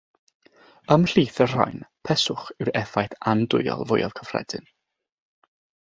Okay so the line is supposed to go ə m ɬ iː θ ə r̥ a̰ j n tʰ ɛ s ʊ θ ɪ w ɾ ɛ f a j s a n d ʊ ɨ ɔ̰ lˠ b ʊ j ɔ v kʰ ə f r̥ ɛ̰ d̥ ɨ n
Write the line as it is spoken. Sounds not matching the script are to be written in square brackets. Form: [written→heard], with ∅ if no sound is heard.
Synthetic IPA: ə m ɬ iː θ ə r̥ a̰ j n [tʰ→pʰ] ɛ s ʊ [θ→χ] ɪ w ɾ ɛ f a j [s→θ] a n d ʊ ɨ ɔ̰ lˠ [b→v] ʊ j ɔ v kʰ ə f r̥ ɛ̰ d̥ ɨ n